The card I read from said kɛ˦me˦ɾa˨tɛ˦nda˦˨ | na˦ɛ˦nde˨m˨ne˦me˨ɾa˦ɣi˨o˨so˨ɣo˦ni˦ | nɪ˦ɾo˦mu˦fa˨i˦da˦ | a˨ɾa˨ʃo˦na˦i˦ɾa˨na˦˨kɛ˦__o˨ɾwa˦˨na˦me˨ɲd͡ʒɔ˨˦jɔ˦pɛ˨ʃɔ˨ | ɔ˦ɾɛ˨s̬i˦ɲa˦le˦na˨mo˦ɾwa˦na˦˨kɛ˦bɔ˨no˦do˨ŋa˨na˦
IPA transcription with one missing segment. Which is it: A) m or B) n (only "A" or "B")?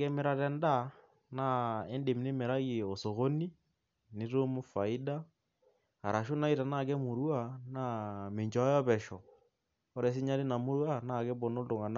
A